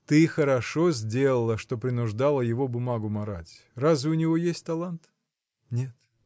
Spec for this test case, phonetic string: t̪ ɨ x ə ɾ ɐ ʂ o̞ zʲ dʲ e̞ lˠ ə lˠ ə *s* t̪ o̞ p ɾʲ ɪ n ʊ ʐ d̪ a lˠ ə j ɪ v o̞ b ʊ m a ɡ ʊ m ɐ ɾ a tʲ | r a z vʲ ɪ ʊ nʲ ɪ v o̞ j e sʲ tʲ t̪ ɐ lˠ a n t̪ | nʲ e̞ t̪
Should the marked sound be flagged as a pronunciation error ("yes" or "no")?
yes